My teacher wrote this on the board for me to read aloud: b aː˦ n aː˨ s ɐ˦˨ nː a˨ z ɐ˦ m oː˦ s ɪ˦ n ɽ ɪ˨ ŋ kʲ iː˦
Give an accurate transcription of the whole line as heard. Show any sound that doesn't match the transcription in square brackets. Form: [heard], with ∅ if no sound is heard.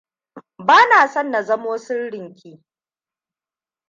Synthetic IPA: b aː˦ n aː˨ s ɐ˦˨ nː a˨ z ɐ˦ m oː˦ s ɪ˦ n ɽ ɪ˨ ŋ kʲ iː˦